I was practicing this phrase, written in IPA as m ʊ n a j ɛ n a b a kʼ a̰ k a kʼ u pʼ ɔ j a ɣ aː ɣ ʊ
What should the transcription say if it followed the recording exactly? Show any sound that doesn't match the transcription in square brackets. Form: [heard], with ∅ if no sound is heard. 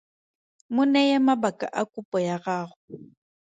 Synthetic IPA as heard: m ʊ n [ɛ] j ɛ [m] a b a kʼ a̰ [ʔ] a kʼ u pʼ ɔ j a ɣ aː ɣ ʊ